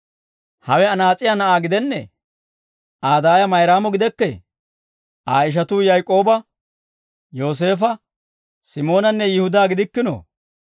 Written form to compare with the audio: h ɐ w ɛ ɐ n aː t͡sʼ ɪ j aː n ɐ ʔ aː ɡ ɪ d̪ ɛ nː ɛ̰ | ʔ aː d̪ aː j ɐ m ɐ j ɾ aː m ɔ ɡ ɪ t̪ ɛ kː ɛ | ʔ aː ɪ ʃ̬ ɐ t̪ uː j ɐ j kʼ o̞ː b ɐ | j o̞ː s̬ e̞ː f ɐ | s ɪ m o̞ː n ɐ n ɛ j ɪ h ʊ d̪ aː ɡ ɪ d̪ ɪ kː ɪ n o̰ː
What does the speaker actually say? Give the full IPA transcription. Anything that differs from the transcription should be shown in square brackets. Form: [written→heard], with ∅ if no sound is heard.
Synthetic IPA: h ɐ w ɛ ɐ n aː t͡sʼ ɪ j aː n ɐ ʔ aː ɡ ɪ d̪ ɛ nː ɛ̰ | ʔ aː d̪ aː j ɐ m ɐ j ɾ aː m ɔ ɡ ɪ [t̪→d̪] ɛ kː ɛ | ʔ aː ɪ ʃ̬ ɐ t̪ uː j ɐ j kʼ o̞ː b ɐ | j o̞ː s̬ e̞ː f ɐ | s ɪ m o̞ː n ɐ [n→nː] ɛ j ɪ h ʊ d̪ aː ɡ ɪ d̪ ɪ kː ɪ n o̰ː